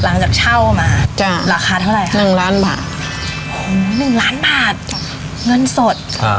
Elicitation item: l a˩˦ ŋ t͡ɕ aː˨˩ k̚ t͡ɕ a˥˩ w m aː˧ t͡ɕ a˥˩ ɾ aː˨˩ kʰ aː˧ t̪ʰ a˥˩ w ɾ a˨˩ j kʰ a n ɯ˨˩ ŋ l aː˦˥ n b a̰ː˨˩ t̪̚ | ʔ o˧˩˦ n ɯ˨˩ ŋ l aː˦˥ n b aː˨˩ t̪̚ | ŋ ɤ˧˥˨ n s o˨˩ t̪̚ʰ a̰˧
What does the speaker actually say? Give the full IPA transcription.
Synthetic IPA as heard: l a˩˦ ŋ t͡ɕ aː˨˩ k̚ t͡ɕʰ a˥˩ w m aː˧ t͡ɕ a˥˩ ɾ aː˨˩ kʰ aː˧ t̪ʰ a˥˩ w ɾ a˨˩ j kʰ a n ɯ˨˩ ŋ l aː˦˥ n b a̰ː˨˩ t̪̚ | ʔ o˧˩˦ n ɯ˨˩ ŋ l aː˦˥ n b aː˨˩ t̪̚ | ŋ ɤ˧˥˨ n s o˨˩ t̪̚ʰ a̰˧

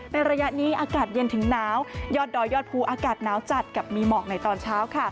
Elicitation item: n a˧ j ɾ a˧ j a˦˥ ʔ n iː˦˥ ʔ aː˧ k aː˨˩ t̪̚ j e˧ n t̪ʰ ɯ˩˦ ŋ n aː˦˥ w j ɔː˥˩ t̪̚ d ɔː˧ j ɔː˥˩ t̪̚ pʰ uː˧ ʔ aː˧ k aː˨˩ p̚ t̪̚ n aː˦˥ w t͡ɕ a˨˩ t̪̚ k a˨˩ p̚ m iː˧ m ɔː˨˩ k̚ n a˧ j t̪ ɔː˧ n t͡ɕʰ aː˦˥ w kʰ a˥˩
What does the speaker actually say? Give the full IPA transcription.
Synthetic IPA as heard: n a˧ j ɾ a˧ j a˦˥ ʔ n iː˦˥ ʔ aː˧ k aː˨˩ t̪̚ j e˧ n t̪ʰ ɯ˩˦ ŋ n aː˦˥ w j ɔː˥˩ t̪̚ d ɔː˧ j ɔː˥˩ t̪̚ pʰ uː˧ ʔ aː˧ k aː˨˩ t̪̚ n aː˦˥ w t͡ɕ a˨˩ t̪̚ k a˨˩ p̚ m iː˧ m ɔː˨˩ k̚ n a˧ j t̪ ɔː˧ n t͡ɕʰ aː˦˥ w kʰ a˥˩

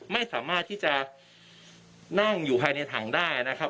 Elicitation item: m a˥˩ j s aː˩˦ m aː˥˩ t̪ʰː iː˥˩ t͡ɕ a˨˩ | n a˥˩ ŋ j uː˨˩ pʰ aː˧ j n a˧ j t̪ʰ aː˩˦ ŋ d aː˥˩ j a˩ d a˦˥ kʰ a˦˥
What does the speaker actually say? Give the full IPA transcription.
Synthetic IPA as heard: m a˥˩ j s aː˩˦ m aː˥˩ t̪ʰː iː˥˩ t͡ɕ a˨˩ | n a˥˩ ŋ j uː˨˩ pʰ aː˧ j n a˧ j t̪ʰ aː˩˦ ŋ d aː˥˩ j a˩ n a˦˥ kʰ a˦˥

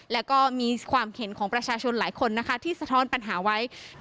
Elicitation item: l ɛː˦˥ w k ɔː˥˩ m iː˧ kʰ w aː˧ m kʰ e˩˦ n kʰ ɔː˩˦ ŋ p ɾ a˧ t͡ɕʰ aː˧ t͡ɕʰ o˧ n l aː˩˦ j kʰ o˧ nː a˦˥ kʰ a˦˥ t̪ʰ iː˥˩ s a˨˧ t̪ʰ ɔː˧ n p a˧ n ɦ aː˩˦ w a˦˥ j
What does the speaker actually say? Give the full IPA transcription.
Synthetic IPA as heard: l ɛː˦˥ w k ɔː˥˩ m iː˧ kʰ w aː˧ m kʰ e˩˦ n kʰ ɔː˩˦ ŋ p ɾ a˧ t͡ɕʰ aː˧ t͡ɕʰ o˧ n l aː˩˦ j kʰ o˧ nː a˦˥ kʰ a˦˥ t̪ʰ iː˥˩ s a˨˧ t̪ʰ ɔː˦˥ n p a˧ n ɦ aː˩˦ w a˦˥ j

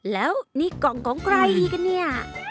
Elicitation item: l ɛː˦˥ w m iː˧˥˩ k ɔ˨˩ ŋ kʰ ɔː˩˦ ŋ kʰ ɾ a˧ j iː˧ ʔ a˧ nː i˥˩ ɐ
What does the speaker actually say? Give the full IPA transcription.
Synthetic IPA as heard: l ɛː˦˥ w n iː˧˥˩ k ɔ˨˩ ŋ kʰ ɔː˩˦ ŋ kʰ ɾ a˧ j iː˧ k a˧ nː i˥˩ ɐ

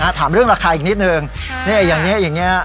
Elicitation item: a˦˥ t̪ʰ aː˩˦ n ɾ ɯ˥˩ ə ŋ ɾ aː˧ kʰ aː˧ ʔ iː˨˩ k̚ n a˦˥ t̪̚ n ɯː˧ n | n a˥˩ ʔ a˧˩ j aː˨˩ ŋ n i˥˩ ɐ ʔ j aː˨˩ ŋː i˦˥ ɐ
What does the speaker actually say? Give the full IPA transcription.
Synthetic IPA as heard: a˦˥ t̪ʰ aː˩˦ m ɾ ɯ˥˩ ə ŋ ɾ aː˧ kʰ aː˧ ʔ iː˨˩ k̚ n i˦˥ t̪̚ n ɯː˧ ŋ | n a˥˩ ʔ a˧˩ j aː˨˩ ŋ n i˦˥ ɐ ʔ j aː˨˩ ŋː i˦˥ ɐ

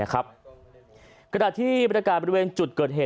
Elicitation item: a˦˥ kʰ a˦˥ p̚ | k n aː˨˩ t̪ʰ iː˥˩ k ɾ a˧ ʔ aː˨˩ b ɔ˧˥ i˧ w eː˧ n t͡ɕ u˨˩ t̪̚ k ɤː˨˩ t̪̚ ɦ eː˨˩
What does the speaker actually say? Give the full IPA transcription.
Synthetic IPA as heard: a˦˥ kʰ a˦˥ p̚ | k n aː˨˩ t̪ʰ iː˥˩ p ɾ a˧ k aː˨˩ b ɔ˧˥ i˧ w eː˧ n t͡ɕ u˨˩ t̪̚ k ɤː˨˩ t̪̚ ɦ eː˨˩

